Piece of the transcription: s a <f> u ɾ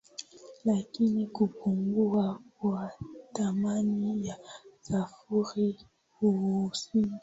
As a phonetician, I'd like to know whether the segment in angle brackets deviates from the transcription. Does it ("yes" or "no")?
no